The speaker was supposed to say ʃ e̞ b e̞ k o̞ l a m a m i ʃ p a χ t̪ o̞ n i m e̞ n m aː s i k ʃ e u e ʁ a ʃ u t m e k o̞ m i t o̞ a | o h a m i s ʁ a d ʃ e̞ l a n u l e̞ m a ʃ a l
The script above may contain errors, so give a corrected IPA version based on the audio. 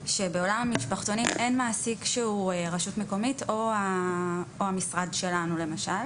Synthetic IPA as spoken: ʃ e̞ b e̞ o̞ l a m a m i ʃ p a χ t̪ o̞ n i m e̞ n m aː s i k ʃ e u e ʁ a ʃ u t m e k o̞ m i t o̞ a | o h a m i s ʁ a d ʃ e̞ l a n u l e̞ m a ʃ a l